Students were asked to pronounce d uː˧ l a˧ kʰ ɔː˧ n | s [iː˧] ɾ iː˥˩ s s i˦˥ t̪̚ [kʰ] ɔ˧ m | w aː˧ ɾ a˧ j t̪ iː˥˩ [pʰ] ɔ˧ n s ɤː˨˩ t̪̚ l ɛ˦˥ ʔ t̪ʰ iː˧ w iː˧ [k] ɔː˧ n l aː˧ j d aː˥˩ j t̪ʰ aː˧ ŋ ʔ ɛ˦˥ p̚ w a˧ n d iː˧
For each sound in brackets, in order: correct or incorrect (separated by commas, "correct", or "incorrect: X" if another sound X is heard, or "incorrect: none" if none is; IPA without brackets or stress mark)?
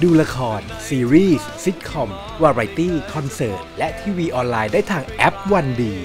correct, correct, incorrect: kʰ, incorrect: ʔ